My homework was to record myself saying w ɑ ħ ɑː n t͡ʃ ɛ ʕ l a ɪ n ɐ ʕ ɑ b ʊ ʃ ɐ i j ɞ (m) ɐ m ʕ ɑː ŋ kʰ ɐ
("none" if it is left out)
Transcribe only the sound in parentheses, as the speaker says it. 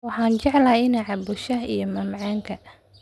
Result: m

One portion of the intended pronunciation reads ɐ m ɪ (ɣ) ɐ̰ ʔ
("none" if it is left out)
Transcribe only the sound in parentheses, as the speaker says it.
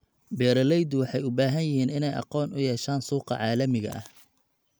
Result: ɣ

